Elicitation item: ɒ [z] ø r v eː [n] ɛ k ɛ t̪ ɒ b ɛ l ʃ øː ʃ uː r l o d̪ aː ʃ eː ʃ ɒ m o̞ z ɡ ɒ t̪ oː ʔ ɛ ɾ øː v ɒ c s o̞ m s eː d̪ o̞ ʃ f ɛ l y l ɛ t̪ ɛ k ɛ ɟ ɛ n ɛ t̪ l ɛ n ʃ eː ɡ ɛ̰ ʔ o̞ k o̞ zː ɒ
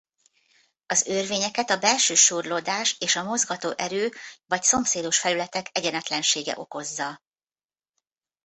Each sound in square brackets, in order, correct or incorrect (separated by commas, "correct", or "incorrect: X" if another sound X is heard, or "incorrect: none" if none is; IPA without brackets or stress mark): correct, incorrect: ɲ